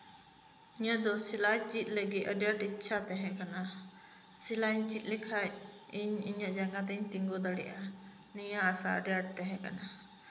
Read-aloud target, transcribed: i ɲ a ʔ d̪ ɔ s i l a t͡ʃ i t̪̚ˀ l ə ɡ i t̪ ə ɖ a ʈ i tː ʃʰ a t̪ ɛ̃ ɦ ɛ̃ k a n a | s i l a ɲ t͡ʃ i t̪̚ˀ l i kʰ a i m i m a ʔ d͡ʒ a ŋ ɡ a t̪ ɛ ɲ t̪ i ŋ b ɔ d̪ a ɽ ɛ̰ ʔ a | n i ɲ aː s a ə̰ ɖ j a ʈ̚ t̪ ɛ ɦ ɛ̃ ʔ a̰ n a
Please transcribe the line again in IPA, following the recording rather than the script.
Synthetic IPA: i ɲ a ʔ d̪ ɔ s i l a t͡ʃ i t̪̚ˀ l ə ɡ i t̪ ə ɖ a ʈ i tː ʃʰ a t̪ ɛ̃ ɦ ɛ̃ k a n a | s i l a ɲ t͡ʃ i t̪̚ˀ l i kʰ a i ɲ i ɲ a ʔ d͡ʒ a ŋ ɡ a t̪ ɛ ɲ t̪ i ŋ ɡ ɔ d̪ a ɽ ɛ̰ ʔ a | n i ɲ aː s a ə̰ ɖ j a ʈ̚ t̪ ɛ ɦ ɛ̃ k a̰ n a